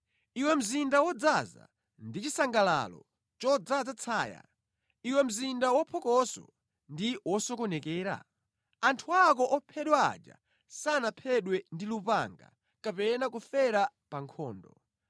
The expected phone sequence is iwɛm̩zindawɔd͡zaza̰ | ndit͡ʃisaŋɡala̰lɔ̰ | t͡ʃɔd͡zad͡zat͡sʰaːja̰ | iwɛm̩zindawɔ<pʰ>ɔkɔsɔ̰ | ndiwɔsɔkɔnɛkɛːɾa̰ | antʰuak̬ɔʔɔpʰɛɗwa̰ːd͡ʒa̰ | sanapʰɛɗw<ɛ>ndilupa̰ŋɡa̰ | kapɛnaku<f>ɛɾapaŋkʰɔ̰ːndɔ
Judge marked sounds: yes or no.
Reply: yes, yes, yes

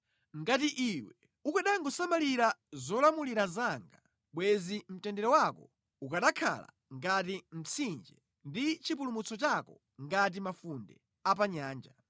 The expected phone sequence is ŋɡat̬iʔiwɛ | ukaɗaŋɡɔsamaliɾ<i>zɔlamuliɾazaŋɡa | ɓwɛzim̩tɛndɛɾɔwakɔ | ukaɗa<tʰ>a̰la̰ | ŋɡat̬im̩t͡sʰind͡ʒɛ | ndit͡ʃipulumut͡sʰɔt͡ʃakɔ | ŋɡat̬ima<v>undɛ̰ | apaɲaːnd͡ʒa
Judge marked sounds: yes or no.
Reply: no, no, no

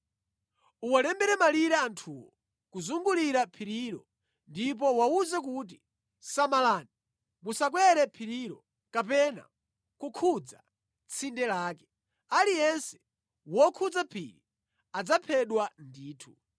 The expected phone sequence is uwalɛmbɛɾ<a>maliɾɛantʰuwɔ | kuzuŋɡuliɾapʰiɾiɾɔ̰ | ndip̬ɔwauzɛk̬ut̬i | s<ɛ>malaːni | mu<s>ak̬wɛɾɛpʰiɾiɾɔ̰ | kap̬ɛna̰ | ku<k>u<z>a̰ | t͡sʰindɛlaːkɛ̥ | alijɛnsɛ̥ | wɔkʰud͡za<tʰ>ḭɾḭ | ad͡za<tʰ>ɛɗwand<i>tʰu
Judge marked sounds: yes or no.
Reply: no, no, yes, no, no, no, no, no

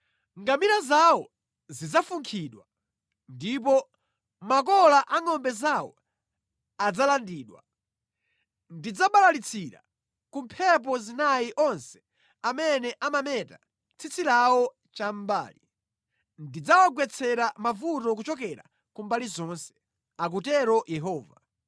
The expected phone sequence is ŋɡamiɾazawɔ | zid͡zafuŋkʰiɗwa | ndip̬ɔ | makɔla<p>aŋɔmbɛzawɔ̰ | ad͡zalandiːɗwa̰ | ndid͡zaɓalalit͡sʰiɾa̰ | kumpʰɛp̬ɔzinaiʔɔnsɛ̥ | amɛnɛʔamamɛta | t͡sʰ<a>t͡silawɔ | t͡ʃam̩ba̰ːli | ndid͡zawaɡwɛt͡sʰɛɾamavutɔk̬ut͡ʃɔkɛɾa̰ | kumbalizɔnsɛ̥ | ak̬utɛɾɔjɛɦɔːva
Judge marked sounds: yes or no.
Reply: no, no

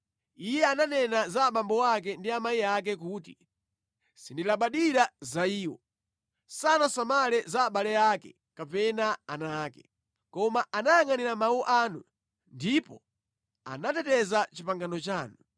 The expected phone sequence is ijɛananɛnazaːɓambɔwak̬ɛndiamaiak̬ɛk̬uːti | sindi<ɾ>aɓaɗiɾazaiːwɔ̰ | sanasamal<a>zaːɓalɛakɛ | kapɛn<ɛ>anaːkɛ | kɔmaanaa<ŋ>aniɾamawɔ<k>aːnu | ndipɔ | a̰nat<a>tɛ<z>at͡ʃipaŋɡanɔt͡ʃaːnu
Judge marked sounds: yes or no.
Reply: no, no, no, yes, no, no, yes

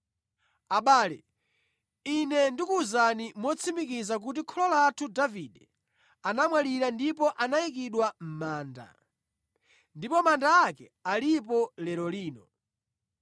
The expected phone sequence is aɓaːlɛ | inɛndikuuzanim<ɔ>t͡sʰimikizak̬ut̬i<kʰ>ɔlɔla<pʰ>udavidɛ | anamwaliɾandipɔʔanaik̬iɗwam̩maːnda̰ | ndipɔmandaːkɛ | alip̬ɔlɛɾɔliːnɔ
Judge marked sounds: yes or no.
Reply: yes, yes, no

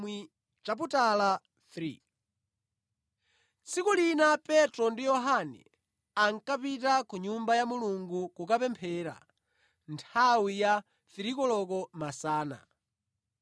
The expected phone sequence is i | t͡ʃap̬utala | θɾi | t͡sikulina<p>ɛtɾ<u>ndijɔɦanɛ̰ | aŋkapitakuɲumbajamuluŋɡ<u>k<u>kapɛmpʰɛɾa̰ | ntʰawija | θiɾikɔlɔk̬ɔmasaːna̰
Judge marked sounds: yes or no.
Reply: yes, no, yes, yes

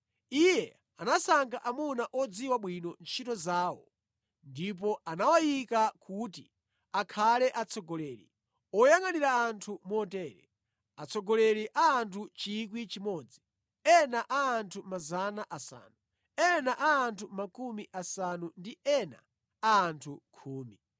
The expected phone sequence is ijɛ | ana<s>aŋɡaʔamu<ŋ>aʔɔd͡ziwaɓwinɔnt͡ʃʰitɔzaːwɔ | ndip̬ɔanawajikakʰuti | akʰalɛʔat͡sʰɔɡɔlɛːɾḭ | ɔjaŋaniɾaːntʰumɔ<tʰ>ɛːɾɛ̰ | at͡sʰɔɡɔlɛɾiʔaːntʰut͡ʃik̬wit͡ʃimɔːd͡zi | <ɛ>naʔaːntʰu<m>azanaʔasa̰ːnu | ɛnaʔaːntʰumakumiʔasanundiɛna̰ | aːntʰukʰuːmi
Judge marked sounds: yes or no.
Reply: yes, no, no, yes, yes

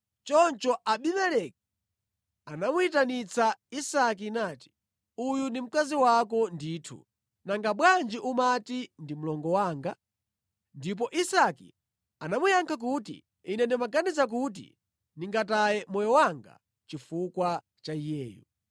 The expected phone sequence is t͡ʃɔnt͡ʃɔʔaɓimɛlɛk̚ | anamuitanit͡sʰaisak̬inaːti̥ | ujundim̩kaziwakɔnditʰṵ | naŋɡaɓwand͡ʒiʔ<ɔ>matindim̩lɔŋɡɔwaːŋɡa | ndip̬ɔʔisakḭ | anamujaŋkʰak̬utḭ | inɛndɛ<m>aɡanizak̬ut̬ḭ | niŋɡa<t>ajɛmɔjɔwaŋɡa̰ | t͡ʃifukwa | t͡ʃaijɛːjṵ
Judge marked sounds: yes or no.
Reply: no, yes, yes

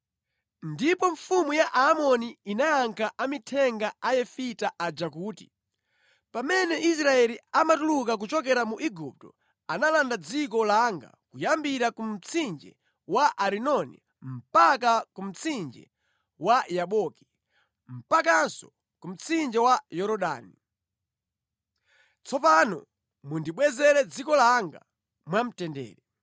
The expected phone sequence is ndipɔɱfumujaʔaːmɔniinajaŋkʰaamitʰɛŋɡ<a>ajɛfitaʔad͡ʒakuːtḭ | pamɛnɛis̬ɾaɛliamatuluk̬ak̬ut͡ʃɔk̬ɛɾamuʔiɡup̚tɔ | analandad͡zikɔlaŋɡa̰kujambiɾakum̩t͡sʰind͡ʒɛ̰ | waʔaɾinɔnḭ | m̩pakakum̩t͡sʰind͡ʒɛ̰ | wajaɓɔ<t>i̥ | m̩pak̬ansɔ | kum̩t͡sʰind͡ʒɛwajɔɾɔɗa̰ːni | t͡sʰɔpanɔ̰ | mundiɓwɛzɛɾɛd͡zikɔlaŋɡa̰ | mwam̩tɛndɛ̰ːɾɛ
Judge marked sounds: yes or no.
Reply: yes, no

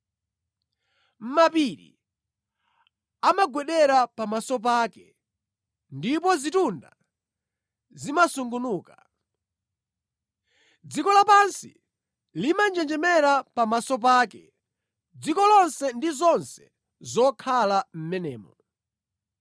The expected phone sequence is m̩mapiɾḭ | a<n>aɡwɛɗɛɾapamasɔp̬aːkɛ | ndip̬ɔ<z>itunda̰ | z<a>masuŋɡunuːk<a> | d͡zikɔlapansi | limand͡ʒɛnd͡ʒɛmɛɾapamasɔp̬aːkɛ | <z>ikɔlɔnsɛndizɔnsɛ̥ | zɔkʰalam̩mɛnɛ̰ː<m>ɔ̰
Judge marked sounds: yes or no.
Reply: no, yes, no, yes, no, yes

